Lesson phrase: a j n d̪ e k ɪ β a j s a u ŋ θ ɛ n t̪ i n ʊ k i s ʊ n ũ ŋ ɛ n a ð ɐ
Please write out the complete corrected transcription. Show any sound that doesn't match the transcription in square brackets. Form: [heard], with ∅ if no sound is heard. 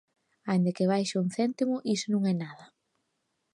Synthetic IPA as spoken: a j n d̪ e k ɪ β a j [ʃ] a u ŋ θ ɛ n t̪ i [m] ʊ [ʔ] i s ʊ n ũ ŋ ɛ n a ð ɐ